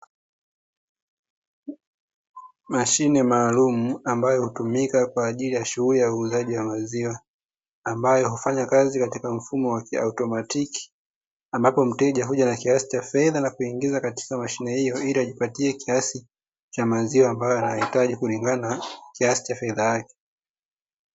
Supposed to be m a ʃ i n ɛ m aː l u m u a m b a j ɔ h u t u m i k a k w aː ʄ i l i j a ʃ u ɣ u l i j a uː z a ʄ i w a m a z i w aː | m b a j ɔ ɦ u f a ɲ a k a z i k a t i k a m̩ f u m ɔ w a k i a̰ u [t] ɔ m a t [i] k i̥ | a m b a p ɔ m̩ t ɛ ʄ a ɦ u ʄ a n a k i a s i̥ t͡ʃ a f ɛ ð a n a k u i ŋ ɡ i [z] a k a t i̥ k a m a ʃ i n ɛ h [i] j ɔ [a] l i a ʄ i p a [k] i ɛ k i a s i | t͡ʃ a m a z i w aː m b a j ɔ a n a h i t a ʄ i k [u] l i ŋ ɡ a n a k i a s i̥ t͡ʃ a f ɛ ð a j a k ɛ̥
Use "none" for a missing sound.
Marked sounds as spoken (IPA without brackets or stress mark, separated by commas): t, i, z, i, i, t, u